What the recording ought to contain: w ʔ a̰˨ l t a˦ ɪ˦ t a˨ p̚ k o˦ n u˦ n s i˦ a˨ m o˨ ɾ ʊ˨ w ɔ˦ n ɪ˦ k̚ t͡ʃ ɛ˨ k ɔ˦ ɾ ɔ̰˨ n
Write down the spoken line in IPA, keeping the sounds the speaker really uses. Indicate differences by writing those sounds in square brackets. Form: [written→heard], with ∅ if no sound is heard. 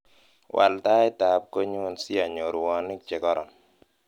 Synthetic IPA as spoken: w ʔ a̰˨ l t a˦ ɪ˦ t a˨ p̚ k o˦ [n→ɲ] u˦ n s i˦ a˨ [m→ɲ] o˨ ɾ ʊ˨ w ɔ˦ n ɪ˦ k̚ t͡ʃ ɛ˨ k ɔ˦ ɾ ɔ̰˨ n